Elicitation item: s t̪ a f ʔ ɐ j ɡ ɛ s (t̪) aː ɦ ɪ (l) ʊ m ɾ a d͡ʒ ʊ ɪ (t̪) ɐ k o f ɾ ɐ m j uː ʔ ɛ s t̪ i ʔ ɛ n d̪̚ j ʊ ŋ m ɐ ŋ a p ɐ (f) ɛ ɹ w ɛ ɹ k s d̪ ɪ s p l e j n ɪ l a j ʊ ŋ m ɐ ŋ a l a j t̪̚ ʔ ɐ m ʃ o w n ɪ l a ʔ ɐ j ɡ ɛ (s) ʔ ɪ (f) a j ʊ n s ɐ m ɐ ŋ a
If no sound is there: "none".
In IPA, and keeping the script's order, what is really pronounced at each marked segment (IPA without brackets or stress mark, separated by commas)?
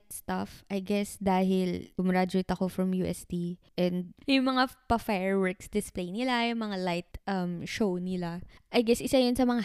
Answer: d̪, l, t̪, f, s, s